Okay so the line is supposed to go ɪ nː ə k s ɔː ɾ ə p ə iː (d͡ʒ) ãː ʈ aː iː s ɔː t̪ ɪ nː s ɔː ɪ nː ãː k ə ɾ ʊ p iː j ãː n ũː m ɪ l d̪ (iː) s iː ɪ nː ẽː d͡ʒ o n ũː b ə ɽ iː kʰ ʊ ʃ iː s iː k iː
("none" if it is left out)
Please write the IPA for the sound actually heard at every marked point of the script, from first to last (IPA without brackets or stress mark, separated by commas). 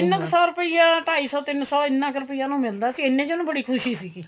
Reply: none, aː